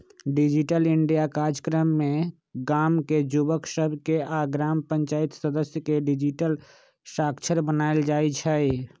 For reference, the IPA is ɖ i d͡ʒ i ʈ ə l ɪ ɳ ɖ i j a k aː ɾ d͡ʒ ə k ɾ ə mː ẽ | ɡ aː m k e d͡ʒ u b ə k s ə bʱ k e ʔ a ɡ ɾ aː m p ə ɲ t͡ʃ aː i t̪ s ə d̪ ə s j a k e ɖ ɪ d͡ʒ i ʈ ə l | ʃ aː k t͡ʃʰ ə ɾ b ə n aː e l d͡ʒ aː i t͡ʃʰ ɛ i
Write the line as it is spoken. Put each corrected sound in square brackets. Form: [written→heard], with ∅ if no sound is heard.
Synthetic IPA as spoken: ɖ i d͡ʒ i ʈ ə l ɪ ɳ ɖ i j a k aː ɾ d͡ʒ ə k ɾ ə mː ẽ | ɡ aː m k e d͡ʒ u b ə k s ə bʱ k e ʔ a ɡ ɾ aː m p ə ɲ t͡ʃ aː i t̪ s ə d̪ ə s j [a→ə] k e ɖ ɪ d͡ʒ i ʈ ə l | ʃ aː k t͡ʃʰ ə ɾ b ə n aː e l d͡ʒ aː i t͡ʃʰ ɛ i